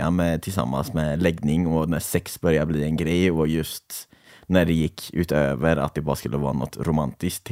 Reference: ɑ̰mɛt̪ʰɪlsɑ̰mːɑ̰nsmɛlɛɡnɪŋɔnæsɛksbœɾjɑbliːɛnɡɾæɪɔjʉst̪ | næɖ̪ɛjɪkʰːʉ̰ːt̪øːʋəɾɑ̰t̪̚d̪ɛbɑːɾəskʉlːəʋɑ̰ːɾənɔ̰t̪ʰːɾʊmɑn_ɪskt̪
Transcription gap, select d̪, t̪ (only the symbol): t̪